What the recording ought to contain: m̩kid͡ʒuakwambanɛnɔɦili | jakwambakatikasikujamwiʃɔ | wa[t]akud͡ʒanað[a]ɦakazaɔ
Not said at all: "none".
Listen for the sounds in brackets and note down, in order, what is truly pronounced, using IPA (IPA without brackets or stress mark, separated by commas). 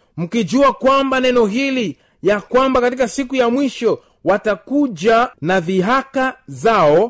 t, i